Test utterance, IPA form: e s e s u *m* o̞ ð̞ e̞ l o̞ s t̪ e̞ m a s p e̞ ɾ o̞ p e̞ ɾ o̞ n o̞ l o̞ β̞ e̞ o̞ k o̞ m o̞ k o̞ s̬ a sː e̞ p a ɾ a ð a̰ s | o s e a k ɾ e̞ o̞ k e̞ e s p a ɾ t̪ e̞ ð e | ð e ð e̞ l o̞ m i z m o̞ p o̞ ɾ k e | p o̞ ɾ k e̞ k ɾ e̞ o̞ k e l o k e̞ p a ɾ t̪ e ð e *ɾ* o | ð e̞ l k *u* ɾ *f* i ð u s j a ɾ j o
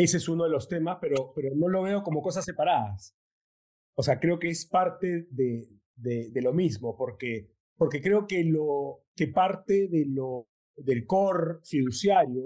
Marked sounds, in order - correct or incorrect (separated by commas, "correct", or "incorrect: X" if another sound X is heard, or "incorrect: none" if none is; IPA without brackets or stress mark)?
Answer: incorrect: n, incorrect: l, incorrect: o, correct